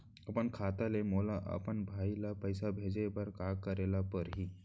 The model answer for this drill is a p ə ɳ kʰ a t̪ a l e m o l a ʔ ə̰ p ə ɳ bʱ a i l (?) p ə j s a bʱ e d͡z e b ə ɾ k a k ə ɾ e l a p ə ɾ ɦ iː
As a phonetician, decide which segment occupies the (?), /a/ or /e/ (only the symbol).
a